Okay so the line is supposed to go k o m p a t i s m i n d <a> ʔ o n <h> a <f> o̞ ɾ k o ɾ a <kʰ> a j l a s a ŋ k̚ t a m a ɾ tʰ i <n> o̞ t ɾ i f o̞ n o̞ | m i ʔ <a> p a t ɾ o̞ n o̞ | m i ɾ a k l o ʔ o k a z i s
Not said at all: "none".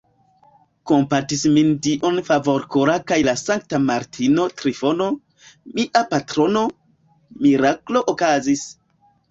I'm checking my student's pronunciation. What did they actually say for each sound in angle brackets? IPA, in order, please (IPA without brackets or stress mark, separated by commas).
i, f, v, k, n, a